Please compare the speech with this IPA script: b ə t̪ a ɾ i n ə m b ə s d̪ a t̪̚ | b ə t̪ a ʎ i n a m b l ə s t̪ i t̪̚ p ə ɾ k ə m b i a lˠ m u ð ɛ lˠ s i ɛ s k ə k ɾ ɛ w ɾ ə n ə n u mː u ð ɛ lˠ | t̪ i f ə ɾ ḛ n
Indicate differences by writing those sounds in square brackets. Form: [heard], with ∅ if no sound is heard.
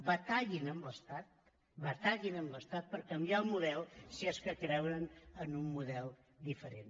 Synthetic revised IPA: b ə t̪ a [ʎ] i n ə m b ə s [t̪] a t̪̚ | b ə t̪ a ʎ i n [ə] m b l ə s t̪ [a] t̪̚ p ə ɾ k ə m b i a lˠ m u ð ɛ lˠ s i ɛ s k ə k ɾ ɛ w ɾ ə n ə n u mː u ð ɛ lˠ | [d̪] i f ə ɾ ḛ n